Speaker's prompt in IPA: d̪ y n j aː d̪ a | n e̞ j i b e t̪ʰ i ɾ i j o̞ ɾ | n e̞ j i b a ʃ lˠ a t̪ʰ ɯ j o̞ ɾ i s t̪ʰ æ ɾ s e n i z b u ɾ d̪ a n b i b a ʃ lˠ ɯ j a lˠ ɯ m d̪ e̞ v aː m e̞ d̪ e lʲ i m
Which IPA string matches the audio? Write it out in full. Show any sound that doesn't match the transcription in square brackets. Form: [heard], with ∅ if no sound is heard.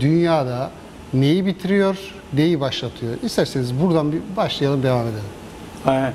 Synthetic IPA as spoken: d̪ y n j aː d̪ a | n e̞ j i b [i] t̪ʰ i ɾ i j o̞ ɾ | n e̞ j i b a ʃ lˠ a t̪ʰ ɯ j o̞ ɾ i s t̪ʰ æ ɾ s e n i z b u ɾ d̪ a n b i b a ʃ lˠ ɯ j a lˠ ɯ m d̪ e̞ v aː m e̞ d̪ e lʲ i m